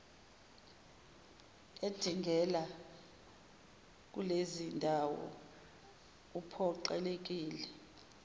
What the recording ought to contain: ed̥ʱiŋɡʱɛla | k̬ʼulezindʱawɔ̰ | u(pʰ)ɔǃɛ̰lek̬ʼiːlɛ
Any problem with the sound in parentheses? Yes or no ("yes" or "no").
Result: no